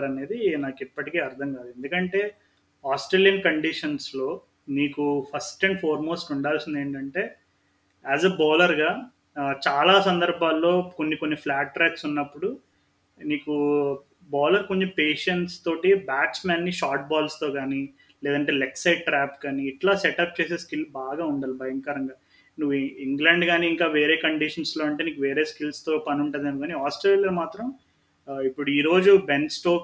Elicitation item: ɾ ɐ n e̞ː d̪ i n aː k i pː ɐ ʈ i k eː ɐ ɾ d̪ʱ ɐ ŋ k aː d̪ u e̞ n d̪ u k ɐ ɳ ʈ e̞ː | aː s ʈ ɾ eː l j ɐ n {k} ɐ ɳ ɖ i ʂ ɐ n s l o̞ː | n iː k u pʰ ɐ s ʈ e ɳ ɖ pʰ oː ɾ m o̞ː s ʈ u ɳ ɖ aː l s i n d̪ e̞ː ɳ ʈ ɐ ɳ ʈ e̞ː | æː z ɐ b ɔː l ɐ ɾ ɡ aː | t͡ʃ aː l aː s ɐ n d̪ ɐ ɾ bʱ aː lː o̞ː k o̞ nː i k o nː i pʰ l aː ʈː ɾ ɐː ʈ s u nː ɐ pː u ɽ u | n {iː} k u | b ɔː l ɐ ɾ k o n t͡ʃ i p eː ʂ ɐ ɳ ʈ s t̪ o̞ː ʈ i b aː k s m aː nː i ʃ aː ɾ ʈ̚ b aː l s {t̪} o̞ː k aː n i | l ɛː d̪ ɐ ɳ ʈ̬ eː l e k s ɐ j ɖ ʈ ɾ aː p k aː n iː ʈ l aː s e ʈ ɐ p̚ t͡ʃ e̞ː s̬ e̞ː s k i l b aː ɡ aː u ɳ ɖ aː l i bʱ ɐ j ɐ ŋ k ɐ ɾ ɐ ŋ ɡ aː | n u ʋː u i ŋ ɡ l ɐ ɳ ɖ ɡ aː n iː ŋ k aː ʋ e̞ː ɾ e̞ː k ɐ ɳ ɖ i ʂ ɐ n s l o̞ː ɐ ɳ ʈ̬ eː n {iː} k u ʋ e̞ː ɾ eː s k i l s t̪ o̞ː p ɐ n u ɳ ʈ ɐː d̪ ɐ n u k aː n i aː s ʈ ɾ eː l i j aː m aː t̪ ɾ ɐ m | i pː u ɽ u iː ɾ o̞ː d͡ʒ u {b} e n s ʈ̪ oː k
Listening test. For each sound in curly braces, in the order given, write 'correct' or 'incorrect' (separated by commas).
correct, correct, correct, correct, correct